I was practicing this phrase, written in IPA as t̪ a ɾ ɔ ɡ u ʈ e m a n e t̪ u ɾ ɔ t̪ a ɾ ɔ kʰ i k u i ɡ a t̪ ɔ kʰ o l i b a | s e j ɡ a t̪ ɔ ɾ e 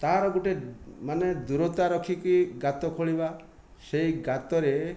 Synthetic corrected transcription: t̪ a ɾ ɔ ɡ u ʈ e m a n e d̪ u ɾ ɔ t̪ a ɾ ɔ kʰ i k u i ɡ a t̪ ɔ kʰ o ɭ i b a | s e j ɡ a t̪ ɔ ɾ e